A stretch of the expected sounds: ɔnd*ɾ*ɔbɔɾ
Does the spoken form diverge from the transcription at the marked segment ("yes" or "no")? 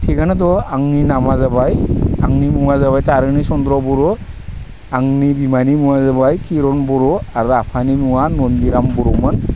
no